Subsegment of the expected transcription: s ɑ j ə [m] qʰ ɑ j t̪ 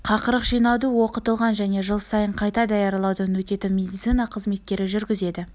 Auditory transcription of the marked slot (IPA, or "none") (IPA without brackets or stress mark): ɴ